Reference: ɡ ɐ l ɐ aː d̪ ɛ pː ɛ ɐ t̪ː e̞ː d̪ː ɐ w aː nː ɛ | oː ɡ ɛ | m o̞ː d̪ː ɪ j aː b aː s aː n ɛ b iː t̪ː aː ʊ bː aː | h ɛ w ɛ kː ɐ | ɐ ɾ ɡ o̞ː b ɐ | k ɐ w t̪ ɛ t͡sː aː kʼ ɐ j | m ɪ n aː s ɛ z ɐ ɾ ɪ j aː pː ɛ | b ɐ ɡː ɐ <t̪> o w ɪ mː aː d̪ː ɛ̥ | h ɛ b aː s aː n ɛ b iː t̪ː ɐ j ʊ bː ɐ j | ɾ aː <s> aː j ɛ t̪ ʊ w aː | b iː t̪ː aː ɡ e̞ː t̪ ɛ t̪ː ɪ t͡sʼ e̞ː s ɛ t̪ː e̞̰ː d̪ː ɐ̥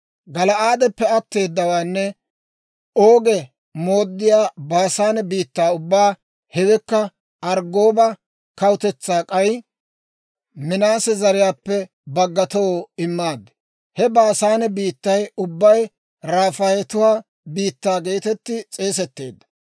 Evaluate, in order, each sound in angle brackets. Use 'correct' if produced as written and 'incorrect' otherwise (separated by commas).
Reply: correct, incorrect